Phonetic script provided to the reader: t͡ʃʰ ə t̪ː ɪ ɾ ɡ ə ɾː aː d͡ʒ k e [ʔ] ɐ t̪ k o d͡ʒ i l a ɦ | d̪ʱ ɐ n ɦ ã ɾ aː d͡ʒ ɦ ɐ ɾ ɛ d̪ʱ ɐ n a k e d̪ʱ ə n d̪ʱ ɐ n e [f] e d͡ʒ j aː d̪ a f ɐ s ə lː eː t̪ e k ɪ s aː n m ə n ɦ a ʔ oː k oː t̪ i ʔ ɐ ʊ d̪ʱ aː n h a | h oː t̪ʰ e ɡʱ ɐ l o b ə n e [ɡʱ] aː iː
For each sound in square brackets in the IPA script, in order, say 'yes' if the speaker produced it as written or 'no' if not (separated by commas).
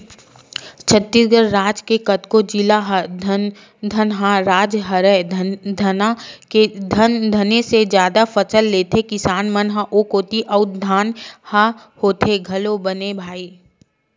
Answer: no, no, no